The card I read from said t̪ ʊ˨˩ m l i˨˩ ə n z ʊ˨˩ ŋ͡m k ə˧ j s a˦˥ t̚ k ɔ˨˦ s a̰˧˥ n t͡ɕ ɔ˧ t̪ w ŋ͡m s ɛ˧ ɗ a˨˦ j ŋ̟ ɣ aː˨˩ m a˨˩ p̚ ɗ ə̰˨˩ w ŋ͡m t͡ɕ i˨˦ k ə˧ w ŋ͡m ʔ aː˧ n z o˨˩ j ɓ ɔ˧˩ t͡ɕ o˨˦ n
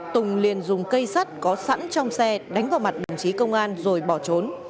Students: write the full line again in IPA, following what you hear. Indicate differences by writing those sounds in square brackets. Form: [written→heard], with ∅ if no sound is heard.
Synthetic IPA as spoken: t̪ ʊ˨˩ [m→ŋ͡m] l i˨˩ ə n z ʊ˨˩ ŋ͡m k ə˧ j s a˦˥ t̚ k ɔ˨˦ s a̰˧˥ n t͡ɕ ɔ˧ [t̪→∅] w ŋ͡m s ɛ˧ ɗ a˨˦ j ŋ̟ [ɣ→v] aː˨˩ m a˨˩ [p̚→t̚] ɗ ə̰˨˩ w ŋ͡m t͡ɕ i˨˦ k ə˧ w ŋ͡m ʔ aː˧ n z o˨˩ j ɓ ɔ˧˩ t͡ɕ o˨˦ n